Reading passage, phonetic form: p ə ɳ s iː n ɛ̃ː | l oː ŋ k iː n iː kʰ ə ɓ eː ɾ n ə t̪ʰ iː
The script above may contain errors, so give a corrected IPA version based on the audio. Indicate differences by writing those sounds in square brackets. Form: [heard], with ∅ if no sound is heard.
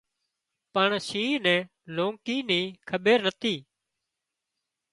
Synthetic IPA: p ə ɳ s iː n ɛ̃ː | l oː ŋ k iː n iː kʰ ə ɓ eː ɾ n ə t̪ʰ iː